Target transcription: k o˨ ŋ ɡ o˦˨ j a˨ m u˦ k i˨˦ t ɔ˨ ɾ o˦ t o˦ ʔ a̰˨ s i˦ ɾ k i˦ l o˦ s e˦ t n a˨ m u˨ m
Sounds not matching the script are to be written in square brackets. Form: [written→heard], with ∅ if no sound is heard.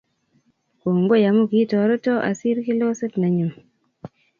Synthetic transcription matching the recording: k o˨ ŋ ɡ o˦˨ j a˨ m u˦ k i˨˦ t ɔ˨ ɾ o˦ t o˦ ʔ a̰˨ s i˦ ɾ k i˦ l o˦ s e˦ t n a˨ [m→ɲ] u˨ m